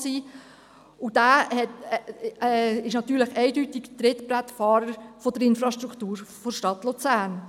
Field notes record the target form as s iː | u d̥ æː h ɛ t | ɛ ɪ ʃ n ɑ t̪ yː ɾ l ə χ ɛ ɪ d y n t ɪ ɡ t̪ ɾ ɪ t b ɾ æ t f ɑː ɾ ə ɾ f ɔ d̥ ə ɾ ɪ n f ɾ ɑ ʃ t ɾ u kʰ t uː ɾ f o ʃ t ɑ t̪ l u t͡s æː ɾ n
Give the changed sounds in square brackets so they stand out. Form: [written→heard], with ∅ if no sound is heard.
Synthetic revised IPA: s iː | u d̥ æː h ɛ t | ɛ ɪ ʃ n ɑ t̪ yː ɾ l ə χ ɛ ɪ d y [n→∅] t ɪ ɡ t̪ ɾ ɪ t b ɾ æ t f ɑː ɾ ə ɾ f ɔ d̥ ə ɾ ɪ n f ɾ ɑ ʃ t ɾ u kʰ t uː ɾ f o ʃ t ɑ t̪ l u t͡s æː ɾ n

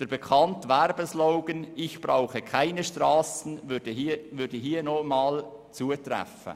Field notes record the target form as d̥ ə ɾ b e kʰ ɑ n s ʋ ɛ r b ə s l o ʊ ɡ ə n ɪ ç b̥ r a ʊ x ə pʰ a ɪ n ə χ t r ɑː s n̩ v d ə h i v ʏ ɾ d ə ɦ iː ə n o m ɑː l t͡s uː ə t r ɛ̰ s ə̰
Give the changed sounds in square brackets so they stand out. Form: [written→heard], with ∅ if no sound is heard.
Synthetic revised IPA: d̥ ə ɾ b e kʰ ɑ n [s→t] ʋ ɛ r b ə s l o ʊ ɡ ə n ɪ ç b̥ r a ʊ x ə [pʰ→kʰ] a ɪ n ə [χ→ʃ] t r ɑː s n̩ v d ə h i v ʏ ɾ d ə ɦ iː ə n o m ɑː l t͡s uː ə t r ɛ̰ [s→f] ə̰

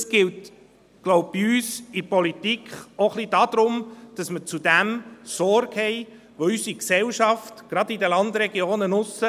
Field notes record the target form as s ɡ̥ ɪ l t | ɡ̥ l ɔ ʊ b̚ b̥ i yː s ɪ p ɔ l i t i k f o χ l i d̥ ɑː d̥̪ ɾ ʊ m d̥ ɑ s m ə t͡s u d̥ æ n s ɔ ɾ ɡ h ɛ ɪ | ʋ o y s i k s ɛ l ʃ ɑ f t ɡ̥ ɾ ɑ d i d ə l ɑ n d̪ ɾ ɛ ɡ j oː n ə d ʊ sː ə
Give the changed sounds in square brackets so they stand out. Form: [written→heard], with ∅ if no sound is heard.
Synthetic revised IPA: s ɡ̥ ɪ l t | ɡ̥ l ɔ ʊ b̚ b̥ i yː s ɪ p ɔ l i t i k [f→χ] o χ l i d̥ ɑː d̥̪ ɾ ʊ m d̥ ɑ s m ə t͡s u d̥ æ [n→m] s ɔ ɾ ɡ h ɛ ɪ | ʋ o y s i k s ɛ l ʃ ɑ f t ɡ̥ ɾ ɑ d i d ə l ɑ n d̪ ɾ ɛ ɡ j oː n ə [d→n] ʊ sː ə

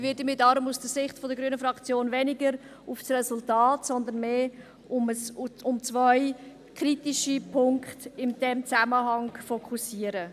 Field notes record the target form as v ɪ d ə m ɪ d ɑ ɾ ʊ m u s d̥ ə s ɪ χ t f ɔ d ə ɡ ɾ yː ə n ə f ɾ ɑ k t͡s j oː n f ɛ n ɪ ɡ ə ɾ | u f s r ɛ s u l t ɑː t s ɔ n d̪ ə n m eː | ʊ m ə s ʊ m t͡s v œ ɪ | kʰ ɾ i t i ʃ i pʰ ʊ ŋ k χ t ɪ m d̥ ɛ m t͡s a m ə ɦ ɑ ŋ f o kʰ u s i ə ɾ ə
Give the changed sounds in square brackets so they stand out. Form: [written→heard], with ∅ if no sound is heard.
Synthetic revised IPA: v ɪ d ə m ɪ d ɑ ɾ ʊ m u s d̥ ə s ɪ χ t f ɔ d ə ɡ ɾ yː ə n ə f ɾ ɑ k t͡s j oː n [f→v] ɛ n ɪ ɡ ə ɾ | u f s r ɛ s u l t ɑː t s ɔ n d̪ ə n m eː | ʊ m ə s ʊ m t͡s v œ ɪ | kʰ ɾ i t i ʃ i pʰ ʊ ŋ k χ t ɪ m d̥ ɛ m t͡s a m ə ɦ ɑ ŋ f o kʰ u s i ə ɾ ə

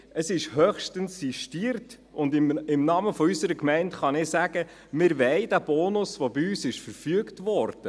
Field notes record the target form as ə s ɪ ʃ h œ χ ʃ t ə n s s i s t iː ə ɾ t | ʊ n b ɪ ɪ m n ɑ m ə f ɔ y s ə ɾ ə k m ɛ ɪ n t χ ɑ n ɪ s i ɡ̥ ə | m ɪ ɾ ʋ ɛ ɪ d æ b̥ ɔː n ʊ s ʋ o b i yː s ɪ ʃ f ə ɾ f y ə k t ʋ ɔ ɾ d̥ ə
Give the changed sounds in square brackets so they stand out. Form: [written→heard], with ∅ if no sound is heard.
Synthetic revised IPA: ə s ɪ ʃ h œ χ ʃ t ə n s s i [s→ʃ] t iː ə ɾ t | ʊ n [b→d] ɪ ɪ m n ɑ m ə f ɔ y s ə ɾ ə k m ɛ ɪ n t χ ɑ n ɪ s [i→æ] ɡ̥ ə | m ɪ ɾ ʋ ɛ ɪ d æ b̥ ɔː n ʊ s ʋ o b i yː s ɪ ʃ f ə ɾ f y ə k t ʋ ɔ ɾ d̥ ə

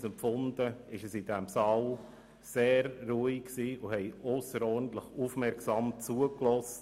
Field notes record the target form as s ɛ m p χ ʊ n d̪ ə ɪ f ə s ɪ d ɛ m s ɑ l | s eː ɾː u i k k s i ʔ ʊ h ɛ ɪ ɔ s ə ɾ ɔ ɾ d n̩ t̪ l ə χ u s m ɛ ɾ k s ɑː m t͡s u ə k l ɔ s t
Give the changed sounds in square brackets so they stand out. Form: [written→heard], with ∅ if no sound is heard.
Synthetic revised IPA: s ɛ m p [χ→f] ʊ n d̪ ə ɪ [f→ʃ] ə s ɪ d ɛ m s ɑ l | s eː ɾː u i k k s [i→iː] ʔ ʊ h ɛ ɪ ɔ s ə ɾ ɔ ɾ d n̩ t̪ l ə χ u [s→f] m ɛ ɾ k s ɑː m t͡s u ə k l ɔ s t

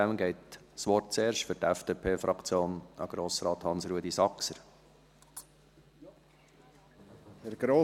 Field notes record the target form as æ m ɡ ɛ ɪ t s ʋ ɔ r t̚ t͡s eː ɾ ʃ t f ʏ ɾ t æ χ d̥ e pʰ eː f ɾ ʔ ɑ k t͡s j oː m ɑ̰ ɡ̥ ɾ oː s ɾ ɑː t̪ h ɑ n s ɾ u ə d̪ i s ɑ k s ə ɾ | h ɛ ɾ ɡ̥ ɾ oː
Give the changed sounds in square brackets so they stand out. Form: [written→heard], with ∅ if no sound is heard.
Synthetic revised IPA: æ m ɡ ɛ ɪ t s ʋ ɔ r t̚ t͡s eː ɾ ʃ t f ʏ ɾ t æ [χ→f] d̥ e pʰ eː f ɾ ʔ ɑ k t͡s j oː [m→n] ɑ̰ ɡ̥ ɾ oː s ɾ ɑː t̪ h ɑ n s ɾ u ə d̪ i s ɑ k s ə ɾ | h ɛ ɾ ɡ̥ ɾ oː

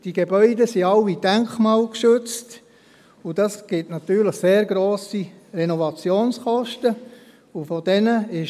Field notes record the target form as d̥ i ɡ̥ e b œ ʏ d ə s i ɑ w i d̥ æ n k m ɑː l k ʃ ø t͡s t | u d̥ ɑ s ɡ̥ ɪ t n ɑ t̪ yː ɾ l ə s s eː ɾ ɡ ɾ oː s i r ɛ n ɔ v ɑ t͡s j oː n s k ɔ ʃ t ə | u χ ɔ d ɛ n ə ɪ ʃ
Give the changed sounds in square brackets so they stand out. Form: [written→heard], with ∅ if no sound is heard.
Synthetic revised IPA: d̥ i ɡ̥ e b œ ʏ d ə s i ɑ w i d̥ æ [n→ŋ] k m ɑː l k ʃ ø t͡s t | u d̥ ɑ s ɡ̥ ɪ t n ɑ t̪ yː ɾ l ə [s→χ] s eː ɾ ɡ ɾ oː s i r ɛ n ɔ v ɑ t͡s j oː n s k ɔ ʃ t ə | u [χ→f] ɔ d ɛ n ə ɪ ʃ

